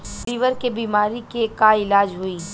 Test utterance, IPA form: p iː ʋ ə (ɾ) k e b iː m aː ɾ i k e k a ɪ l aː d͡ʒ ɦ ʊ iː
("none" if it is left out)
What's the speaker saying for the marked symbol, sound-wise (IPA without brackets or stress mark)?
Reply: ɾ